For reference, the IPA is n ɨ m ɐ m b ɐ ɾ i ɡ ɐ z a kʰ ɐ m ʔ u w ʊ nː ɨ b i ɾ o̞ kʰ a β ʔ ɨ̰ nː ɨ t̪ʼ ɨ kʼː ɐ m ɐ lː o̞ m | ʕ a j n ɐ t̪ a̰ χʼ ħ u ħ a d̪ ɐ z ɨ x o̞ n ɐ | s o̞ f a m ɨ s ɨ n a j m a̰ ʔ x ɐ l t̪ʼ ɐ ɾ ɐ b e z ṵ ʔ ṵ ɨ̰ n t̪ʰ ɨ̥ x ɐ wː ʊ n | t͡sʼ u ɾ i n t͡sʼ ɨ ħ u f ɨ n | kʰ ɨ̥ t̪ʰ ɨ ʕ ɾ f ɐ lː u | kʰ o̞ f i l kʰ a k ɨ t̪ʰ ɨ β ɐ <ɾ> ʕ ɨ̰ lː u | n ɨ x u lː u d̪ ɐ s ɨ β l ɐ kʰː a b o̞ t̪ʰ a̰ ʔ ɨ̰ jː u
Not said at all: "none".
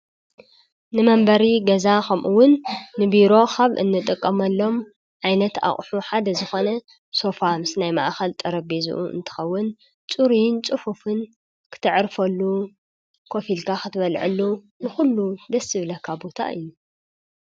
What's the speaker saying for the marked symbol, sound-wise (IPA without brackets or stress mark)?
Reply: l